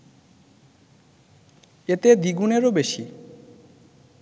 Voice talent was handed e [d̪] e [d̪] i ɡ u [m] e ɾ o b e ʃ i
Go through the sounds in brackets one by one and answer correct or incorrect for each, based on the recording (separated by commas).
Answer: incorrect, correct, incorrect